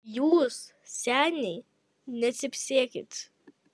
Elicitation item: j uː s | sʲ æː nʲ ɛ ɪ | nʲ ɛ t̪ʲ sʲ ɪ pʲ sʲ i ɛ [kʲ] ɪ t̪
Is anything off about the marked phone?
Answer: no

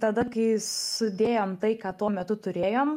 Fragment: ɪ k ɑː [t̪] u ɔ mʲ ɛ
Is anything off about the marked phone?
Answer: no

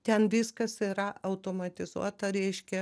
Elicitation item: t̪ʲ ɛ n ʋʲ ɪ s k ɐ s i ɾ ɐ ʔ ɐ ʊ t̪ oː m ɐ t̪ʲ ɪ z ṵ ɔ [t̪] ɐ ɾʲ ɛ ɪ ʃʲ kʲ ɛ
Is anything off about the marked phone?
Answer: no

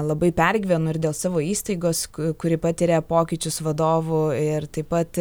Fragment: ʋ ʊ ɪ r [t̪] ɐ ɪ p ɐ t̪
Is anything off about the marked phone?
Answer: no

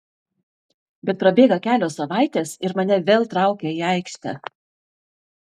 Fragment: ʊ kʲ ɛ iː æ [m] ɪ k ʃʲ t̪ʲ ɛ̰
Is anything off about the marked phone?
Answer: yes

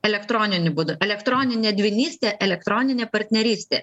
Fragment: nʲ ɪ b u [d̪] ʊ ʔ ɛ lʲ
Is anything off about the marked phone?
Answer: no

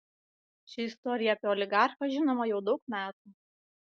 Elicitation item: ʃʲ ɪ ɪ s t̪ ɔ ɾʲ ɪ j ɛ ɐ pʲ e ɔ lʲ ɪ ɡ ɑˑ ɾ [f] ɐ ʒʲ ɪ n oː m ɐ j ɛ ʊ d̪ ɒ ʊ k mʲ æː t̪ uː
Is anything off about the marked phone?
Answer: yes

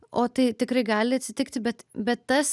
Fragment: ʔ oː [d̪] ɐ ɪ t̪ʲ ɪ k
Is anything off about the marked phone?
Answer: yes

